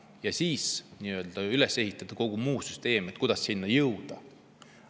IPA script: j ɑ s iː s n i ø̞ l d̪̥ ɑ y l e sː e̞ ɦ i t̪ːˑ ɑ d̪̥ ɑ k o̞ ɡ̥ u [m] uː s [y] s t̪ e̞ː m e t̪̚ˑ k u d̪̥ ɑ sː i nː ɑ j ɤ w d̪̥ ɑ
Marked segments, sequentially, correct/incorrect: correct, correct

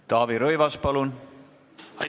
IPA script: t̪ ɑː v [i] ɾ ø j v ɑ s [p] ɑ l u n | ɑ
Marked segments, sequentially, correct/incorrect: correct, correct

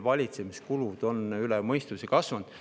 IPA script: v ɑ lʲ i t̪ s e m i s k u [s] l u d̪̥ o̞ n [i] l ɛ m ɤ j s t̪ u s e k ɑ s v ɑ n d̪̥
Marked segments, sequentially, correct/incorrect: incorrect: none, incorrect: y

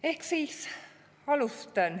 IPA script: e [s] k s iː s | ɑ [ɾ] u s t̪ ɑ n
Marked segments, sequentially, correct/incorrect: incorrect: h, incorrect: l

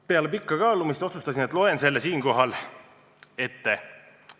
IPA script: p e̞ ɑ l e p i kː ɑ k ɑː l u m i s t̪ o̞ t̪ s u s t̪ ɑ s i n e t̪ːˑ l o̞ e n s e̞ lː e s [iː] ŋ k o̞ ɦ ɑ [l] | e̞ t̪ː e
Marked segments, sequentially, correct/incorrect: correct, correct

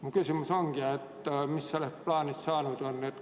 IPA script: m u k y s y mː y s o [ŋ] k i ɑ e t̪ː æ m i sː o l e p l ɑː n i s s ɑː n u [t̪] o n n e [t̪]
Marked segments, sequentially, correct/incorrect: correct, correct, correct

